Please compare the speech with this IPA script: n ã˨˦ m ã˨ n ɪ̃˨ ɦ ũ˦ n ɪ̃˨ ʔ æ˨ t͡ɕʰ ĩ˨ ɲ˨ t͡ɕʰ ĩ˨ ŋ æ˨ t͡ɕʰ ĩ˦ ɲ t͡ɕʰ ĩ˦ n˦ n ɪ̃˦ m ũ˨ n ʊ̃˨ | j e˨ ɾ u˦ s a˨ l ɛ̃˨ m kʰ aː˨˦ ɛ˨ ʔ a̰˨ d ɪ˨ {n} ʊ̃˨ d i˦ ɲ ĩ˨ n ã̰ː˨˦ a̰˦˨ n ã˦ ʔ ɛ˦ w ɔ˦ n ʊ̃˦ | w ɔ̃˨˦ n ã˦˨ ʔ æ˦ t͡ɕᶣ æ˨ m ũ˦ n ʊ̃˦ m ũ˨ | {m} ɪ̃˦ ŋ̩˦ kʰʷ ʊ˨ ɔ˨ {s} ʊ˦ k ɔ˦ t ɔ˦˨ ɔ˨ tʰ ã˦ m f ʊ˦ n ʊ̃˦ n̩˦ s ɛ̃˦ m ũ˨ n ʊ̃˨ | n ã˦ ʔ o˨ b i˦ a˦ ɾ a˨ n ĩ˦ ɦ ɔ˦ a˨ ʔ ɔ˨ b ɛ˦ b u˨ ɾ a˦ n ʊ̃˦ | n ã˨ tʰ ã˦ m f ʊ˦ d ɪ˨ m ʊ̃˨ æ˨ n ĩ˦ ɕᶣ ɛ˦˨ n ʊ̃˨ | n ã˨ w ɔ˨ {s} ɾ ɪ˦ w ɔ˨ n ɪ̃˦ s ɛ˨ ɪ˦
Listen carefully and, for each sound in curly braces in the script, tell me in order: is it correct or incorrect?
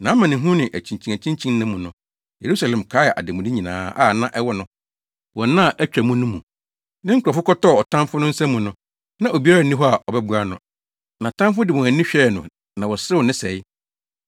incorrect: m, incorrect: n, incorrect: f, correct

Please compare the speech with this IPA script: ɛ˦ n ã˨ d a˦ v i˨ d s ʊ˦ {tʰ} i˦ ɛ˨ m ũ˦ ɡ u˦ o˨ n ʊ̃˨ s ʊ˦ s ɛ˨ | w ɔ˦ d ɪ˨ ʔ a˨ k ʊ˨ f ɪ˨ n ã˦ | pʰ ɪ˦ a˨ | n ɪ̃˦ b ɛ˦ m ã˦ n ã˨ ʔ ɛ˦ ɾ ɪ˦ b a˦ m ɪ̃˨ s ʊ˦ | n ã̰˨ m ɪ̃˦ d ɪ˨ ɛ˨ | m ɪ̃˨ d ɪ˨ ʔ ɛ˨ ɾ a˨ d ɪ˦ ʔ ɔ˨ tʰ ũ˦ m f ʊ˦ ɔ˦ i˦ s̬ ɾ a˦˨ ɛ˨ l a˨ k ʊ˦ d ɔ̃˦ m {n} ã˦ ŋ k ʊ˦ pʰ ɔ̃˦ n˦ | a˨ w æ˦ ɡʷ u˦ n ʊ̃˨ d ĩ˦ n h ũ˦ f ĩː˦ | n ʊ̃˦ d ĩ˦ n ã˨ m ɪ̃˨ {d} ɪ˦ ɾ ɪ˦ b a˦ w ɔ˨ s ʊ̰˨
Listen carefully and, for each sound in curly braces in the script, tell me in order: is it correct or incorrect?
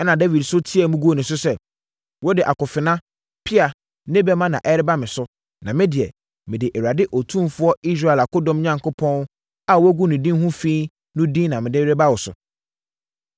correct, incorrect: ɲ, correct

